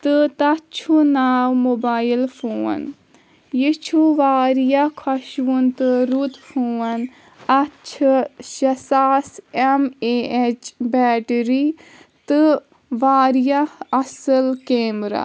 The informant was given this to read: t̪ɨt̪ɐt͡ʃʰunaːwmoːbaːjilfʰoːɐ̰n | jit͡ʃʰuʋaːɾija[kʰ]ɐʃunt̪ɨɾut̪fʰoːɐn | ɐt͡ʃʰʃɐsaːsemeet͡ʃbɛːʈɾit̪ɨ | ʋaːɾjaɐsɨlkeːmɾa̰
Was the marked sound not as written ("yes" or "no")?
no